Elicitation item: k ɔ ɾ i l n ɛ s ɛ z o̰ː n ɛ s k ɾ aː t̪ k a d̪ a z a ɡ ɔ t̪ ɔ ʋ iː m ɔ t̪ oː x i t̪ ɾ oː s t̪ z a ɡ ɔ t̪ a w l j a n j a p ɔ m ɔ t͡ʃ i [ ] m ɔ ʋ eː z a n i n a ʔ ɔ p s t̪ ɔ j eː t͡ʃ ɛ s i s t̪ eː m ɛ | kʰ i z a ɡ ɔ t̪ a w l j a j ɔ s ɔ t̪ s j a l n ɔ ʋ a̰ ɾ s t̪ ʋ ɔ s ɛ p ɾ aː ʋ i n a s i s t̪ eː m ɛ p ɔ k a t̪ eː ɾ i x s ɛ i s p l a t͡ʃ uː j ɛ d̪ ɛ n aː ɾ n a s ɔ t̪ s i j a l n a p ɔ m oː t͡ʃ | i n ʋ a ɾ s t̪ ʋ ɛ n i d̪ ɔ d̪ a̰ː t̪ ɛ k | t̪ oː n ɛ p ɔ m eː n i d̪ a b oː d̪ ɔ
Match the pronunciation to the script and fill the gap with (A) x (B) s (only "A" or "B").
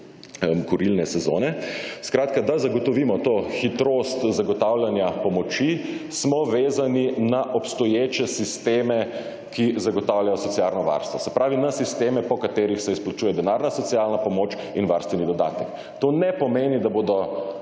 B